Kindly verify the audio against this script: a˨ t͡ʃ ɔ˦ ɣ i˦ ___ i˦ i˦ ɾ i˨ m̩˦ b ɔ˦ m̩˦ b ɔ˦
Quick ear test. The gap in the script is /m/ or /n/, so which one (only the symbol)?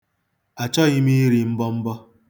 m